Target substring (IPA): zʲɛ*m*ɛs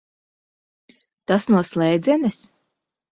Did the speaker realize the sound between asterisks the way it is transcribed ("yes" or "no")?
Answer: no